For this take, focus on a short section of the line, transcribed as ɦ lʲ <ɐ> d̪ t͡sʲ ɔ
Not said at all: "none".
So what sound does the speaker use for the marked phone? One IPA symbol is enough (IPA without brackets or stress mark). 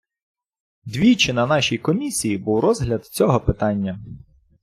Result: ɐ